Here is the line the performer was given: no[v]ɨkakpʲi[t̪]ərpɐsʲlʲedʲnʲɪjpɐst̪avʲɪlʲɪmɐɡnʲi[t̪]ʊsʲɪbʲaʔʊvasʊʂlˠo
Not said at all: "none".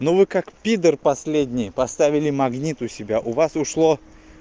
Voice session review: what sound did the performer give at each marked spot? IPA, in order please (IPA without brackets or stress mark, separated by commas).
v, d̪, t̪